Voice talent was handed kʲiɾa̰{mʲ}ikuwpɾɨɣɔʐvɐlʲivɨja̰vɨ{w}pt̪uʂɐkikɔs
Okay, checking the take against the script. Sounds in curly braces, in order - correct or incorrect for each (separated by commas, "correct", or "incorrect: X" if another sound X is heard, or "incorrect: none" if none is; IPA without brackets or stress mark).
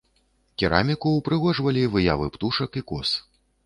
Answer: correct, incorrect: none